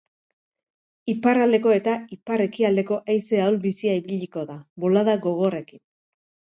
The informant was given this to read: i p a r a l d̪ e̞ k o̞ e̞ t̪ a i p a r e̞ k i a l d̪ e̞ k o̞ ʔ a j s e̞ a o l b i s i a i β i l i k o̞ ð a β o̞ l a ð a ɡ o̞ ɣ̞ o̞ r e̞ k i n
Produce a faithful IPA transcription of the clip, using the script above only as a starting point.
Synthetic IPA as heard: i p a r a l d̪ e̞ k o̞ e̞ t̪ a i p a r e̞ k i a l d̪ e̞ k o̞ ʔ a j s e̞ a o l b i s i a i β i ʎ i k o̞ ð a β o̞ l a ð a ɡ o̞ ɣ̞ o̞ r e̞ k i n